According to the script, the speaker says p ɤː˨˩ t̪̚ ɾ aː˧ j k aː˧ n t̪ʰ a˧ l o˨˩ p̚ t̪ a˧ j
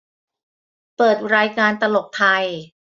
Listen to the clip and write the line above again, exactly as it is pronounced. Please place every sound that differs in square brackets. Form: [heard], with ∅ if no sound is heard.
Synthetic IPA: p ɤː˨˩ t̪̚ ɾ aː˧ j k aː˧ n [t̪] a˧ l o˨˩ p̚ [t̪ʰ] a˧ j